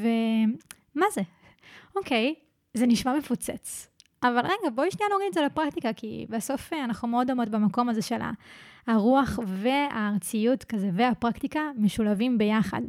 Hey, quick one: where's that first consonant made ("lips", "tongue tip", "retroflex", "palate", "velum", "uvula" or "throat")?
lips